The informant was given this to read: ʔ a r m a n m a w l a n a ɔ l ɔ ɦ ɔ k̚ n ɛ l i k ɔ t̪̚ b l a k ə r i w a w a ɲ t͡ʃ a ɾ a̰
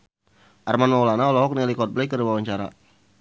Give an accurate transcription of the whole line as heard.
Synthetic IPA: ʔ a r m a n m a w l a n a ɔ l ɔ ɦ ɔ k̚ n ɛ l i k ɔ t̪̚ b l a k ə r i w a w a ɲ t͡ʃ a ɾ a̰

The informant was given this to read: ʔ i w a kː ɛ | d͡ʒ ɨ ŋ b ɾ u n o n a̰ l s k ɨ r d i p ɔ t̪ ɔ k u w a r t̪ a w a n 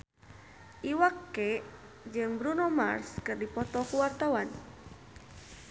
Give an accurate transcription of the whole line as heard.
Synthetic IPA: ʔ i w a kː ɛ | d͡ʒ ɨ ŋ b ɾ u n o m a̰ r s k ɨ r d i p ɔ t̪ ɔ k u w a r t̪ a w a n

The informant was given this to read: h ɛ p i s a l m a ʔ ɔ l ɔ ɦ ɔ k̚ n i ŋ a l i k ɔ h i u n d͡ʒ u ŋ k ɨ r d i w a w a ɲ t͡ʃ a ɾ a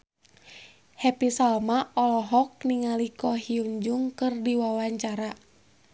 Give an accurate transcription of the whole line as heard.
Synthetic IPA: h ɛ p i s a l m a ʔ ɔ l ɔ ɦ ɔ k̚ n i ŋ a l i k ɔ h i u ɲ d͡ʒ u ŋ k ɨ r d i w a w a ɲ t͡ʃ a ɾ a

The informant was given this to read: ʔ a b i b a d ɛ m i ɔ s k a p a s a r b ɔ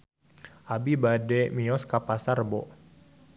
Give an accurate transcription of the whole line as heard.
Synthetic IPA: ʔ a b i b a d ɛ m i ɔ s k a p a s a r b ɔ

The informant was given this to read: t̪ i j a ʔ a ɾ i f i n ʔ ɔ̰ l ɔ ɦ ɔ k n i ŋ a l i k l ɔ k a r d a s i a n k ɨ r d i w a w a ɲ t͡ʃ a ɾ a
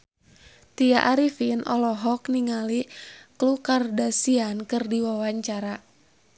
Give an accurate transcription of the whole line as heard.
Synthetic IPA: t̪ i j a ʔ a ɾ i f i n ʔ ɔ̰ l ɔ ɦ ɔ k n i ŋ a l i k l u k a r d a s i a n k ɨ r d i w a w a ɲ t͡ʃ a ɾ a

